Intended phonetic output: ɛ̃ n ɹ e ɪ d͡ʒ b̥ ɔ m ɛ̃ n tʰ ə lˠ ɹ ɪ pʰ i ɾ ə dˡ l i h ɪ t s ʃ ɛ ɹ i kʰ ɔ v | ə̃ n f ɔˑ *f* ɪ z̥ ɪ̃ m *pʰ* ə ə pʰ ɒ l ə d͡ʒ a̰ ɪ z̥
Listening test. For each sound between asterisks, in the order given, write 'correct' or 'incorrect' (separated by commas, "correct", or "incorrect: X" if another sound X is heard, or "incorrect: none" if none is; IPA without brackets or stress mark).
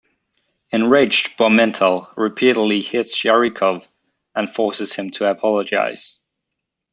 incorrect: s, incorrect: tʰ